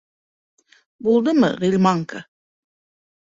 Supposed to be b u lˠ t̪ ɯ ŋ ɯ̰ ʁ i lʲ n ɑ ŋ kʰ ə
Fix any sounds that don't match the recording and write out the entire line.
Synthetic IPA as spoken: b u lˠ d̪ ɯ m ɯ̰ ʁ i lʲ m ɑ ŋ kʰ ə

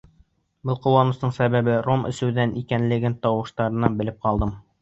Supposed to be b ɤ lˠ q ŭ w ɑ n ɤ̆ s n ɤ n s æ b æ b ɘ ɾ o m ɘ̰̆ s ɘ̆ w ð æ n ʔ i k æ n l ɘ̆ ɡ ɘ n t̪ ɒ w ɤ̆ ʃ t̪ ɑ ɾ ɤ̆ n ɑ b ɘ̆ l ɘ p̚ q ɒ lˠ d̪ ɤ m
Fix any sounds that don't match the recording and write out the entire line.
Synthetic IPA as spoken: b ɤ lˠ q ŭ w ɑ n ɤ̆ s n ɤ ɴ s æ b æ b ɘ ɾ o m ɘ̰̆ s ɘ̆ w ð æ n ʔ i k æ n l ɘ̆ ɡ ɘ n t̪ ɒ w ɤ̆ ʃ t̪ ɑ ɾ ɤ̆ n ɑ b ɘ̆ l ɘ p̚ q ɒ lˠ d̪ ɤ m

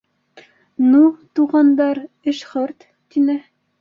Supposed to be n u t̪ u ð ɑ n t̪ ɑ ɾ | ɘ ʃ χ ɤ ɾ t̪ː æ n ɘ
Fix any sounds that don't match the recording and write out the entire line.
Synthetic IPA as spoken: n u t̪ u ʁ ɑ n d̪ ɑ ɾ | ɘ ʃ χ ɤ ɾ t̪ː i n ɘ

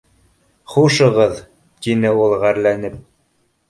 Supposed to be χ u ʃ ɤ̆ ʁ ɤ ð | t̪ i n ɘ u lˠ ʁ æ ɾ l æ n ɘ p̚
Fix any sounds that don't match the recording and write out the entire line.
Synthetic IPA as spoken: χ u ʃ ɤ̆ ʁ ɤ ð | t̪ i n ɘ u lˠ ʁ æ ɾ l æ n ɘ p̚

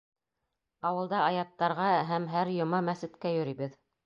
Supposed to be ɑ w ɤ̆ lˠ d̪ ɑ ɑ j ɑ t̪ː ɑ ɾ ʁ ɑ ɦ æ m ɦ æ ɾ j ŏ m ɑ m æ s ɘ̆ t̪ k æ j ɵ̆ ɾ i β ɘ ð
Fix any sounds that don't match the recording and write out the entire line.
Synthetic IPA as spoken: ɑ w ɤ̆ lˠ d̪ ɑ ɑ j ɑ t̪ː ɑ ɾ ʁ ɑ ɦ æ m ɦ æ ɾ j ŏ m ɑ m æ s ɘ̆ t̪ k æ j ɵ̆ ɾ i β ɘ ð

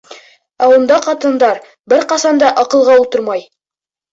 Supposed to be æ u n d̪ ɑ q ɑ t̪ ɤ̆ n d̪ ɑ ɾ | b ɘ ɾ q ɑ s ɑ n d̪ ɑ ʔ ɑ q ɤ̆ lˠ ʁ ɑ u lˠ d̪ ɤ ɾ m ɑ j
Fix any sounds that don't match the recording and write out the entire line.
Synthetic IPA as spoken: æ u n d̪ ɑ q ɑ t̪ ɤ̆ n d̪ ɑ ɾ | b ɘ ɾ q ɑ s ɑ n d̪ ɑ ʔ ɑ q ɤ̆ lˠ ʁ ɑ u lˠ t̪ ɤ ɾ m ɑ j

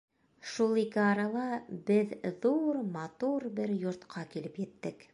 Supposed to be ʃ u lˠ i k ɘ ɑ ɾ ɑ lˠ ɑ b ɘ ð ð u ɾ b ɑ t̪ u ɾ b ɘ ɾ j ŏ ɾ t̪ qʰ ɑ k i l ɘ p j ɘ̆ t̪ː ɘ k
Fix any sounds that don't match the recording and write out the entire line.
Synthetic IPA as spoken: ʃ u lˠ i k ɘ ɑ ɾ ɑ lˠ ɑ b ɘ ð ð u ɾ m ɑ t̪ u ɾ b ɘ ɾ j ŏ ɾ t̪ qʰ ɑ k i l ɘ p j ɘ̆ t̪ː ɘ k

